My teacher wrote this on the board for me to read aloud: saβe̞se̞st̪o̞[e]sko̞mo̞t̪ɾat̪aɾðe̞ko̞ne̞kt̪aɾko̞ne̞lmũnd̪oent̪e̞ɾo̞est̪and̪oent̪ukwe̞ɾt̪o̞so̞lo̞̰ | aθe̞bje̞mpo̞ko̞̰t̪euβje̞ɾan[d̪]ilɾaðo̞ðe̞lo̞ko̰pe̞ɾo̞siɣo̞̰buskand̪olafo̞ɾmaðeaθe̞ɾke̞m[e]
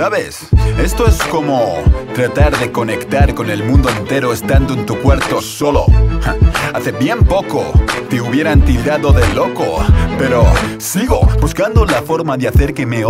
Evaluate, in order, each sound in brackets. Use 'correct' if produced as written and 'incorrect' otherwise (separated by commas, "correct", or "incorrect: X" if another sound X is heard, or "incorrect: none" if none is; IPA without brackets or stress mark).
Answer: correct, incorrect: t̪, correct